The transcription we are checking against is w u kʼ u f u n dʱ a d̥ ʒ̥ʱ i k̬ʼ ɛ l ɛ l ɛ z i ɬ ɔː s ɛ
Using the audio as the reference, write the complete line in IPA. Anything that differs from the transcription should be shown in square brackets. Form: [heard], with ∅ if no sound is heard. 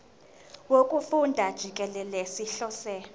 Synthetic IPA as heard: w [o] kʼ u f u n dʱ a d̥ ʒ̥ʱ i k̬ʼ ɛ l ɛ l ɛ [s] i ɬ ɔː s ɛ

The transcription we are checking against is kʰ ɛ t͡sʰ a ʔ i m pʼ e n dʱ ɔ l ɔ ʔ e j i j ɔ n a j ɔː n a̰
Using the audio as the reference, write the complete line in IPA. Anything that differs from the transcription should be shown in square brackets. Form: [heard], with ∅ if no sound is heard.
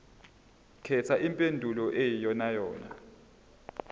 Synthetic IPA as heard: kʰ ɛ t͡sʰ a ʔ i m pʼ e n dʱ [u] l ɔ ʔ e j i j ɔ n a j ɔː n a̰

